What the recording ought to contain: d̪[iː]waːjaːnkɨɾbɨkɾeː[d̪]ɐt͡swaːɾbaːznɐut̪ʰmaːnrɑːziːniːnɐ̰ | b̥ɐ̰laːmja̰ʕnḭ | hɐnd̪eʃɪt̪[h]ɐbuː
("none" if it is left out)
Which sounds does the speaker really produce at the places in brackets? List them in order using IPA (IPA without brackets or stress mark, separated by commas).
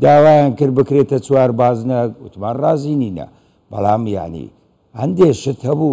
aː, t̪, h